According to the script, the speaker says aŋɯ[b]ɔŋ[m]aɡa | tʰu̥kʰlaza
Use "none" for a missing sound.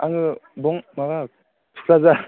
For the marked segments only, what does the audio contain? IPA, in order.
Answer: b, m

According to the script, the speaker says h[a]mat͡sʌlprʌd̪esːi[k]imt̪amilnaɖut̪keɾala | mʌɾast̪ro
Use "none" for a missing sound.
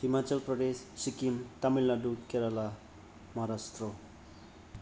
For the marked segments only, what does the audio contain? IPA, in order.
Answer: i, k

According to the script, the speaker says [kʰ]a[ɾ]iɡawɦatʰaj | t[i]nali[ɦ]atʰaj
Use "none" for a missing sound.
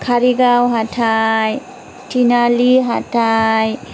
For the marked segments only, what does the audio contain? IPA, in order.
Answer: kʰ, ɾ, i, ɦ

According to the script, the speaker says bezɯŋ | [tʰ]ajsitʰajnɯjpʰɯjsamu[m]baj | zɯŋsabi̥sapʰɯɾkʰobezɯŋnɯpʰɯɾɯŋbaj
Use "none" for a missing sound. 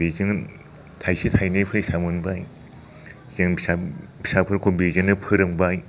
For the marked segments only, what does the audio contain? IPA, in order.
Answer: tʰ, n

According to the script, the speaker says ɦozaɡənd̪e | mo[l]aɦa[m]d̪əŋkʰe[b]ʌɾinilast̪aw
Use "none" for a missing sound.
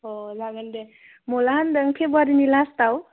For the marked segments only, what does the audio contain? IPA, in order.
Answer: l, n, b

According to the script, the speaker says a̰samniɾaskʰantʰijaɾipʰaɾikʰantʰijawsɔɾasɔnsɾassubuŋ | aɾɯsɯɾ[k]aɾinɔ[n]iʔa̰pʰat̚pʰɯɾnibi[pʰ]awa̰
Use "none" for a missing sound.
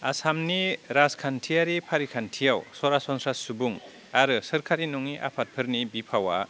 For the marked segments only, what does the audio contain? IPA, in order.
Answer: kʰ, ŋ, pʰ

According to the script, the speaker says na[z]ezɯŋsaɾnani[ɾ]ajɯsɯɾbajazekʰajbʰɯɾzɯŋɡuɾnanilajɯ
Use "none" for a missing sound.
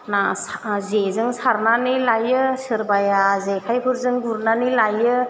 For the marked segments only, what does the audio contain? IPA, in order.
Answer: z, l

